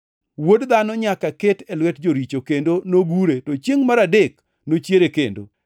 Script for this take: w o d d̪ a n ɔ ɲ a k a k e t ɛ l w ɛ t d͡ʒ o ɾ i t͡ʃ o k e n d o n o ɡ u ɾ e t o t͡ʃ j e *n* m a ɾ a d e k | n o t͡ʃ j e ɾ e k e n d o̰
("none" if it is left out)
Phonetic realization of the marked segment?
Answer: ŋ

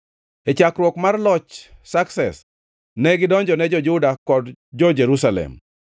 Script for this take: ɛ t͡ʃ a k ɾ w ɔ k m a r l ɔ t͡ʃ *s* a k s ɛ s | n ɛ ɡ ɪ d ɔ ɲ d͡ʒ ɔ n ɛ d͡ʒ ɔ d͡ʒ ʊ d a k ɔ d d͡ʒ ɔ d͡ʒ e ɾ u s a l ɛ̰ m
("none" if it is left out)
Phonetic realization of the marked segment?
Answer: s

